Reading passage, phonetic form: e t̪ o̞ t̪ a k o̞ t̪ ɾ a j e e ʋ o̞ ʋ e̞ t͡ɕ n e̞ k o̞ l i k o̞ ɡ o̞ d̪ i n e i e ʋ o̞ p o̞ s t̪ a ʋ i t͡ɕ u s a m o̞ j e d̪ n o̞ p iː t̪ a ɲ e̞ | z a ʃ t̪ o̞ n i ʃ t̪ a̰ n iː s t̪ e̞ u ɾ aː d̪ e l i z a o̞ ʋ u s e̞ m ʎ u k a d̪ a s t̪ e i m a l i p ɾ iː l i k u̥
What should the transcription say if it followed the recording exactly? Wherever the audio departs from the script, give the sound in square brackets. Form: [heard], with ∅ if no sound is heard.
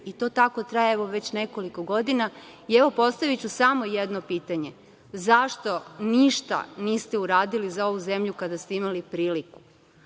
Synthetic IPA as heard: [i] t̪ o̞ t̪ a k o̞ t̪ ɾ a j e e ʋ o̞ ʋ e̞ t͡ɕ n e̞ k o̞ l i k o̞ ɡ o̞ d̪ i n [a] i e ʋ o̞ p o̞ s t̪ a ʋ i t͡ɕ u s a m o̞ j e d̪ n o̞ p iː t̪ a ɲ e̞ | z a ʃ t̪ o̞ n i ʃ t̪ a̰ n iː s t̪ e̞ u ɾ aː d̪ [i] l i z a o̞ ʋ u [z] e̞ m ʎ u k a d̪ a s t̪ e i m a l i p ɾ iː l i k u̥

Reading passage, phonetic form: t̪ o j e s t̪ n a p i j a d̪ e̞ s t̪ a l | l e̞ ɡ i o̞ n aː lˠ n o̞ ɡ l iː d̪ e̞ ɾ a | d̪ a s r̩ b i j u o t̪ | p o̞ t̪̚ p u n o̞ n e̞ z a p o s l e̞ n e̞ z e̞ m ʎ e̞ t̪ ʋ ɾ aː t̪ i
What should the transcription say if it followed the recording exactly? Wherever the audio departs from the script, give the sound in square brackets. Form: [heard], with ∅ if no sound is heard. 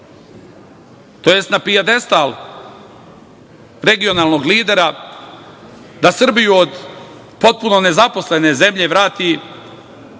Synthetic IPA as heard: t̪ o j e s t̪ n a p i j a d̪ e̞ s t̪ a l | [ɾ] e̞ ɡ i o̞ n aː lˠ n o̞ ɡ l iː d̪ e̞ ɾ a | d̪ a s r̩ b i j u o [d̪] | p o̞ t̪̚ p u n o̞ n e̞ z a p o s l e̞ n e̞ z e̞ m ʎ e̞ [∅] ʋ ɾ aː t̪ i

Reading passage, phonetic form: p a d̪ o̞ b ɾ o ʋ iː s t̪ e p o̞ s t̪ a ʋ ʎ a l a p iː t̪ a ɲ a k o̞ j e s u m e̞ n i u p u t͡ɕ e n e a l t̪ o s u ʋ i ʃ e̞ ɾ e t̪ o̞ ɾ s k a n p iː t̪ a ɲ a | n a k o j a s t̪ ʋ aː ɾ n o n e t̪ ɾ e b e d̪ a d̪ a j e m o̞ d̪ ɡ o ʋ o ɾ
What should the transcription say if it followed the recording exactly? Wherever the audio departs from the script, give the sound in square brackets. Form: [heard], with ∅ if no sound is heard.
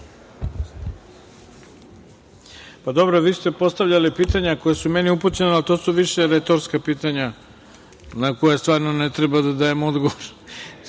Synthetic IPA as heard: p a d̪ o̞ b ɾ o ʋ iː s t̪ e p o̞ s t̪ a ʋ ʎ a l [i] p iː t̪ a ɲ a k o̞ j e s u m e̞ n i u p u t͡ɕ e n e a l t̪ o s u ʋ i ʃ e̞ ɾ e t̪ o̞ ɾ s k a [∅] p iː t̪ a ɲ a | n a k o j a s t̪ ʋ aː ɾ n o n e t̪ ɾ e b [a] d̪ a d̪ a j e m o̞ d̪ ɡ o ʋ o ɾ

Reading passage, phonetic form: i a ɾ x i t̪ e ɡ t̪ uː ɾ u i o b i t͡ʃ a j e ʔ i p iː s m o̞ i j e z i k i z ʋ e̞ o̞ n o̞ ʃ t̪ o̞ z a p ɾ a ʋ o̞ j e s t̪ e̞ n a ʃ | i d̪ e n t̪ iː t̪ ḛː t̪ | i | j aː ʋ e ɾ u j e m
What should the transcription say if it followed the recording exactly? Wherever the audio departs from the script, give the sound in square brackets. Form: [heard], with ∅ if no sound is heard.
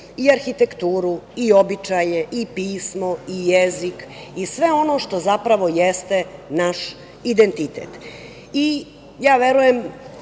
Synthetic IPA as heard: i a ɾ x i t̪ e [k] t̪ uː ɾ u i o b i t͡ʃ a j e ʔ i p iː s m o̞ i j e z i k i [s] ʋ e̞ o̞ n o̞ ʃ t̪ o̞ z a p ɾ a ʋ o̞ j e s t̪ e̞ n a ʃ | i d̪ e n t̪ [i] t̪ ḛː t̪ | i | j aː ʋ e ɾ u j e m

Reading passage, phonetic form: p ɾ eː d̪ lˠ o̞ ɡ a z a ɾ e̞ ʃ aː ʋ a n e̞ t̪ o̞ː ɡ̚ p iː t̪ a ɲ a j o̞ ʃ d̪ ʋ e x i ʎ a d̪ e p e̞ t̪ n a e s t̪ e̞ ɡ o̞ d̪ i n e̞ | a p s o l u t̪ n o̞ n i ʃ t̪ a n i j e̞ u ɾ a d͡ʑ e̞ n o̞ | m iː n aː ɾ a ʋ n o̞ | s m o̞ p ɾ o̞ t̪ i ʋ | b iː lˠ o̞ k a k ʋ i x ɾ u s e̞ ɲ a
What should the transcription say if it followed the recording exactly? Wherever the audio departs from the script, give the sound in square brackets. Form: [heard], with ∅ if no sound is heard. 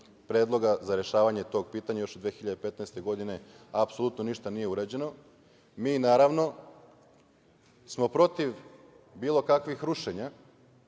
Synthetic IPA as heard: p ɾ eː d̪ lˠ o̞ ɡ a z a ɾ e̞ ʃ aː ʋ a [ɲ] e̞ t̪ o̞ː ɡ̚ p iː t̪ a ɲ a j o̞ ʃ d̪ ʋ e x i ʎ a d̪ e p e̞ t̪ n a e s t̪ e̞ ɡ o̞ d̪ i n e̞ | a p s o l u t̪ n o̞ n i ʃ t̪ a n i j e̞ u ɾ a d͡ʑ e̞ n o̞ | m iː n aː ɾ a ʋ n o̞ | s m o̞ p ɾ o̞ t̪ i ʋ | b iː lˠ o̞ k a k ʋ i x ɾ u [ʃ] e̞ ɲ a

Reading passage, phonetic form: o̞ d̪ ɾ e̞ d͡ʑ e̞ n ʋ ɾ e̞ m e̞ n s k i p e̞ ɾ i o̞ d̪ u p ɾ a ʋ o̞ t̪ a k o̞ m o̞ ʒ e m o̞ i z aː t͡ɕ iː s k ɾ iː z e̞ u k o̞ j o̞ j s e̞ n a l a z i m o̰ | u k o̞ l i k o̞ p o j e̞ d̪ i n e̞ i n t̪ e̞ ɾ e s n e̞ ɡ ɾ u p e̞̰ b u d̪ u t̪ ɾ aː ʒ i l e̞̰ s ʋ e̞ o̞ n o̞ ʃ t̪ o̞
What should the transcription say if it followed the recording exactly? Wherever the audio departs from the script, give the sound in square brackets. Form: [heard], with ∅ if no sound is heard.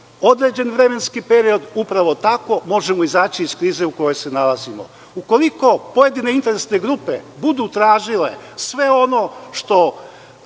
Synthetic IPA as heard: o̞ d̪ ɾ e̞ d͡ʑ e̞ n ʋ ɾ e̞ m e̞ n s k i p e̞ ɾ i o̞ d̪ u p ɾ a ʋ o̞ t̪ a k o̞ m o̞ ʒ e m o̞ i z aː t͡ɕ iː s k ɾ iː z e̞ u k o̞ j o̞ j s e̞ n a l a z i m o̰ | u k o̞ l i k o̞ p o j e̞ d̪ i n e̞ i n t̪ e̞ ɾ e s n e̞ ɡ ɾ u p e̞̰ b u d̪ u t̪ ɾ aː ʒ i l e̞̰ s ʋ e̞ o̞ n o̞ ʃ t̪ o̞

